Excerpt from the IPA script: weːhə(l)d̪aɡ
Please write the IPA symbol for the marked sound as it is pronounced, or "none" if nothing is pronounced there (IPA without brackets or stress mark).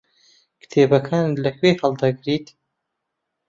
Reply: l